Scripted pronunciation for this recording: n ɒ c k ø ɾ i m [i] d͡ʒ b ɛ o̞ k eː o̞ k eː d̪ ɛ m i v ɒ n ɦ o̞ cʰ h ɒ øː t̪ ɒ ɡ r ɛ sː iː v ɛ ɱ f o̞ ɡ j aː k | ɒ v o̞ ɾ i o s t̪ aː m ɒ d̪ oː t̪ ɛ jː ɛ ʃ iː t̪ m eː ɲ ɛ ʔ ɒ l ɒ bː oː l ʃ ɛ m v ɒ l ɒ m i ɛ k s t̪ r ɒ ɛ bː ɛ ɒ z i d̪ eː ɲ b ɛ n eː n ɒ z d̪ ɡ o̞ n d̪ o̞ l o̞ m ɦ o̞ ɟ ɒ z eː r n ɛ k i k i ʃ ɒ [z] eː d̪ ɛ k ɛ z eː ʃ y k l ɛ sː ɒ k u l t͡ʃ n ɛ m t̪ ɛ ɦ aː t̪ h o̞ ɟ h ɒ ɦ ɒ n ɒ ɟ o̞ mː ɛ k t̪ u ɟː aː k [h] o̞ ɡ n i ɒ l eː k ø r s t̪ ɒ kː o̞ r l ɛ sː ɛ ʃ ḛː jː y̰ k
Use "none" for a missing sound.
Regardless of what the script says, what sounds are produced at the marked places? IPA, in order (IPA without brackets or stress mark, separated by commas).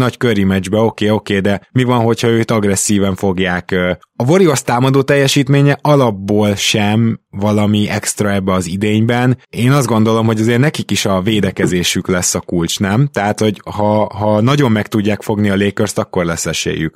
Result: ɛ, v, f